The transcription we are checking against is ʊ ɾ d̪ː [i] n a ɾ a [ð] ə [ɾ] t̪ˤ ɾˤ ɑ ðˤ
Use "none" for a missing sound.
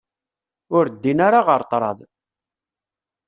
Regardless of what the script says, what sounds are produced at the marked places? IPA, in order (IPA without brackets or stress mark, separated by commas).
i, ʁ, ɾ